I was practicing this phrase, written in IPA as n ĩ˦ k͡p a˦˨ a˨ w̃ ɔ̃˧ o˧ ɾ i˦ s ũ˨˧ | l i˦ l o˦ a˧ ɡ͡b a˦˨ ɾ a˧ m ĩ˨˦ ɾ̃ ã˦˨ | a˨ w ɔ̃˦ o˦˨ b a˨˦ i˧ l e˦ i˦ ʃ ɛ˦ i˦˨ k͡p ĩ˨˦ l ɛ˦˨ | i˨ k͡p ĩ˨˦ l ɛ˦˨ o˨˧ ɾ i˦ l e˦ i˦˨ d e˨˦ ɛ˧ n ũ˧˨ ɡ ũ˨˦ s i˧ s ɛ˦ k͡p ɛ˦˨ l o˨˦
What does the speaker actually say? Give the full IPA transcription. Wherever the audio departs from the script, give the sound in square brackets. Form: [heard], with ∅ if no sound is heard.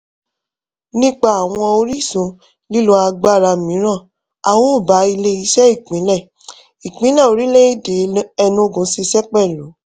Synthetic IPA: n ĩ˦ k͡p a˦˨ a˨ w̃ ɔ̃˧ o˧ ɾ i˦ s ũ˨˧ | l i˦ l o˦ a˧ ɡ͡b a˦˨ ɾ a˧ m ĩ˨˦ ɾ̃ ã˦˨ | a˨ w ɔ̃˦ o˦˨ b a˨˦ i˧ l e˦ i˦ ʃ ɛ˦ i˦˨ k͡p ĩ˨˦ l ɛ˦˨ | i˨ k͡p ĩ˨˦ l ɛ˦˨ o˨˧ ɾ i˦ l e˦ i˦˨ d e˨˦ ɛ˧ n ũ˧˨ ɡ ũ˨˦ s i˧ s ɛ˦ k͡p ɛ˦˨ l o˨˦